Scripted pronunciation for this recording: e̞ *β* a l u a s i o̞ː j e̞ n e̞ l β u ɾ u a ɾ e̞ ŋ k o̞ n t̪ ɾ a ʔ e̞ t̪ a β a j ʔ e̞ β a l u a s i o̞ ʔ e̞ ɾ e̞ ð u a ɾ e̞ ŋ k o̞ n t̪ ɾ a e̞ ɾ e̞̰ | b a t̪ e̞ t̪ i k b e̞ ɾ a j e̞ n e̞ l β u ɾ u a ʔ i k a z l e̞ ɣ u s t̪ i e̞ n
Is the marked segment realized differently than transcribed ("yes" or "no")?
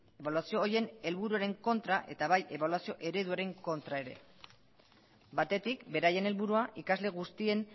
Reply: no